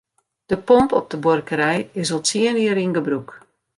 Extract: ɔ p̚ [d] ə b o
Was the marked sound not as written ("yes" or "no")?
no